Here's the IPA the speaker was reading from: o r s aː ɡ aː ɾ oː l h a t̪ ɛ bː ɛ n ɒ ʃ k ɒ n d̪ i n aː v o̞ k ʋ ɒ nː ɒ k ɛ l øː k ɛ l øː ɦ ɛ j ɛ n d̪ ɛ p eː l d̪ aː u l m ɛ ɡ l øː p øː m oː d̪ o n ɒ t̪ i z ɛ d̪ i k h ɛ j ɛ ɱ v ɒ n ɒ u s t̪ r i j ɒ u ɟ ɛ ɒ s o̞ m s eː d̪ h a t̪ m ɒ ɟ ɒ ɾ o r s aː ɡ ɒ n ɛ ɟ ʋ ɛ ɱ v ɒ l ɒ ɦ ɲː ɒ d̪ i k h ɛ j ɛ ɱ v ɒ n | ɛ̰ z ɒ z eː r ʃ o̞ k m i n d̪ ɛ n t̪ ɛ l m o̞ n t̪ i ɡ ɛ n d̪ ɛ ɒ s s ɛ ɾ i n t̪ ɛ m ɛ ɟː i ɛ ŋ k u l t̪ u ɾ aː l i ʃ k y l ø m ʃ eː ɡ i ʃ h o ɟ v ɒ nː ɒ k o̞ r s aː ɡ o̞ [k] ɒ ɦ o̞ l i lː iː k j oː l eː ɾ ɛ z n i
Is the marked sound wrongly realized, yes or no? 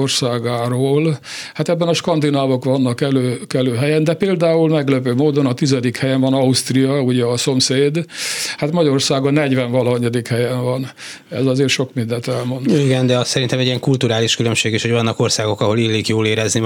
no